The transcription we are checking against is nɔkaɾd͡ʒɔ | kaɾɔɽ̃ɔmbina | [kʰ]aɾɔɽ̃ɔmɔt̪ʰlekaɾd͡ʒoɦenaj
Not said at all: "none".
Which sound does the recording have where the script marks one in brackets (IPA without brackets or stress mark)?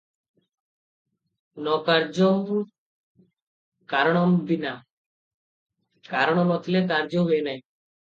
k